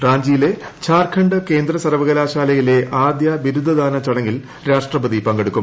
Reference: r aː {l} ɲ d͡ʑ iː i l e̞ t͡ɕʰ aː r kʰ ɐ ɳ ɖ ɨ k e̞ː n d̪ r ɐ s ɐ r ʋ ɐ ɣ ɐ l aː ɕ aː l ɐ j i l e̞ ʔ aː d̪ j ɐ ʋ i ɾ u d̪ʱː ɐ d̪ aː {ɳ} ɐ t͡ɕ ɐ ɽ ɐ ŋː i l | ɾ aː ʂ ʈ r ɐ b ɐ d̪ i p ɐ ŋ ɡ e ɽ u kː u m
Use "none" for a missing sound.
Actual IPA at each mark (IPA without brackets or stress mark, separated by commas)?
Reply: none, n